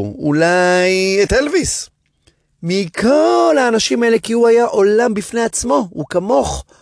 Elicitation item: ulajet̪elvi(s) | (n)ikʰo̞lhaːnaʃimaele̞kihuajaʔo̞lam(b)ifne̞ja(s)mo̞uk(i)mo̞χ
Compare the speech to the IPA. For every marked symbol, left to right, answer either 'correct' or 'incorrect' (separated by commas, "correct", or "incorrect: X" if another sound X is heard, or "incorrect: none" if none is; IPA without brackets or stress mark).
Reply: correct, incorrect: m, correct, incorrect: t͡s, incorrect: a